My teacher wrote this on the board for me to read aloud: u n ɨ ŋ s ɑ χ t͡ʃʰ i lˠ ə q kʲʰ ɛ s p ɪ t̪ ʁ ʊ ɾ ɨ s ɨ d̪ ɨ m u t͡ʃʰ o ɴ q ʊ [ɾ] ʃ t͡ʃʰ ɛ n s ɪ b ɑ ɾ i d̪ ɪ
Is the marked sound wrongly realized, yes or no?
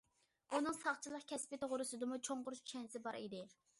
no